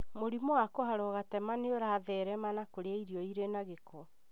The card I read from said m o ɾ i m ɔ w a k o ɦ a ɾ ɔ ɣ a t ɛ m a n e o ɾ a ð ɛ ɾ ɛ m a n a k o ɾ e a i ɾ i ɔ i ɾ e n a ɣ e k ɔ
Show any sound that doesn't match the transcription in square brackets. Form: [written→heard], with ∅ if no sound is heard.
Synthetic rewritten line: m o ɾ i m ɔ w a k o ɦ a ɾ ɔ ɣ a t ɛ m a n e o ɾ a ð ɛ ɾ ɛ m a n a k o ɾ e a i ɾ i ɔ i ɾ e n a ɣ e k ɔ